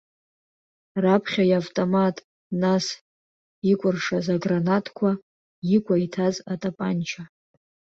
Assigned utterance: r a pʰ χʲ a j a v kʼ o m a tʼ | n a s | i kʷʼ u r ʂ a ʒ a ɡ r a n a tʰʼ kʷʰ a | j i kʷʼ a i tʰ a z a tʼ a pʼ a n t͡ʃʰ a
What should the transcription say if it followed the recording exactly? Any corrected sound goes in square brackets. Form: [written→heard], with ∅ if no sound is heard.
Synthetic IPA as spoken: r a pʰ χʲ a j a v [kʼ→tʼ] o m a tʼ | n a s | i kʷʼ [u→ʊ] r ʂ a [ʒ→z] a ɡ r a n a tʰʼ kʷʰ a | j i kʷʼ a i tʰ a z a tʼ a pʼ a n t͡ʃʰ a